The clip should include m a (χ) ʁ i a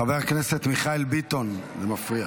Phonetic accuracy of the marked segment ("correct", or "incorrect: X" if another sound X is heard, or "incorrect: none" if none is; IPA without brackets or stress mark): incorrect: f